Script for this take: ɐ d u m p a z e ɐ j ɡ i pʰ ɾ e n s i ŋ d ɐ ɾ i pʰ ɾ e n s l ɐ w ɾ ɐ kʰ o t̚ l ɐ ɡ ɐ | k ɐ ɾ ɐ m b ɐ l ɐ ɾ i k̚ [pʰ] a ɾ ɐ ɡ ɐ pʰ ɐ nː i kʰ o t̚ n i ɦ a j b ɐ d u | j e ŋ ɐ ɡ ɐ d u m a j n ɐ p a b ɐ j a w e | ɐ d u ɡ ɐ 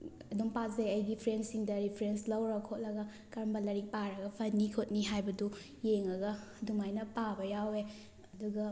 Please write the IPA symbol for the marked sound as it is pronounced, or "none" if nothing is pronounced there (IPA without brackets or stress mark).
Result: p